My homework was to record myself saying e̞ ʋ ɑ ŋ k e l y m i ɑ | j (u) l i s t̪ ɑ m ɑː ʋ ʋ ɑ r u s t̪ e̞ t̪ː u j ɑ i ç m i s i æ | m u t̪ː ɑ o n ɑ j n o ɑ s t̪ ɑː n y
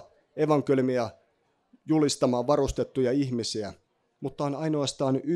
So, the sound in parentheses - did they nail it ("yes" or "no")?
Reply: yes